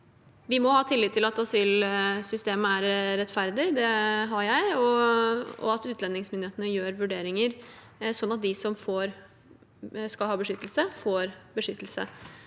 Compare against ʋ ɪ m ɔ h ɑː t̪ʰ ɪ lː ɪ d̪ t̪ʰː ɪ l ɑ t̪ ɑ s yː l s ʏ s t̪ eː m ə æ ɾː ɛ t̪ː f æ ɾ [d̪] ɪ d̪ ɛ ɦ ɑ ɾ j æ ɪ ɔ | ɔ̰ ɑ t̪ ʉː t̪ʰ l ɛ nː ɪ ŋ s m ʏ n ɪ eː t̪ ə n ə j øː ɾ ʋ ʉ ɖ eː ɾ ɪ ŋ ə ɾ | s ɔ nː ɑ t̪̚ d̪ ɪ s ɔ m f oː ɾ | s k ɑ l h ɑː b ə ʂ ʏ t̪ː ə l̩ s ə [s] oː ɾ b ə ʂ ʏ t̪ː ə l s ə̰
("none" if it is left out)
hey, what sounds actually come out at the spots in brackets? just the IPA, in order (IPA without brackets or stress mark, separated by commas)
d̪, f